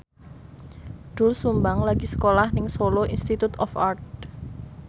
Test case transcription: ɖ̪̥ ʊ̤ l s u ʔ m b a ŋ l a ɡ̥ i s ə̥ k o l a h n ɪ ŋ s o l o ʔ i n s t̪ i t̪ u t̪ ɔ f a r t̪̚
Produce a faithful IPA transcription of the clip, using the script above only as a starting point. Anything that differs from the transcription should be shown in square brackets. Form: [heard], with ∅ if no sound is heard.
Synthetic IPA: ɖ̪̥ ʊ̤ l s u [∅] m b a ŋ l a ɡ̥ i s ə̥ k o l a h n ɪ ŋ s o l o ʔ i n s t̪ i t̪ u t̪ ɔ f a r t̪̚